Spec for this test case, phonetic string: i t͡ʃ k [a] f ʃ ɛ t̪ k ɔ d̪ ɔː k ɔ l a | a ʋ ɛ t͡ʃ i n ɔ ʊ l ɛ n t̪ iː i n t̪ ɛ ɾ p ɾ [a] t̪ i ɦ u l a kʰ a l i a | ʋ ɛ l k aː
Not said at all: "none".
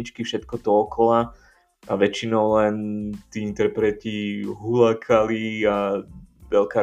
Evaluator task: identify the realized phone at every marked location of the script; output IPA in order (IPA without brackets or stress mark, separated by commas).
i, ɛ